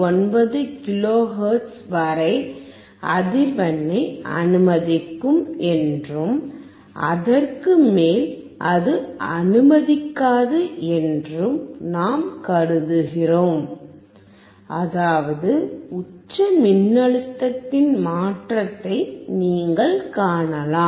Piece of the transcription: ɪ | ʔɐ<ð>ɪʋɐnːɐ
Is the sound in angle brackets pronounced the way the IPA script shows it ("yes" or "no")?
yes